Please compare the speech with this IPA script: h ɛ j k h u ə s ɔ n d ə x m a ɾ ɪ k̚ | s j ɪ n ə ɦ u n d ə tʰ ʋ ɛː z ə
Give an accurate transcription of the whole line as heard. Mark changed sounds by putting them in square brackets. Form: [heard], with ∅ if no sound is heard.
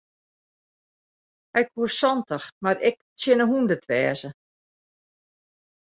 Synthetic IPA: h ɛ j k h u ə s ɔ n [t] ə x m a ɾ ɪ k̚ | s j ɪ n ə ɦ u n d ə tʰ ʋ ɛː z ə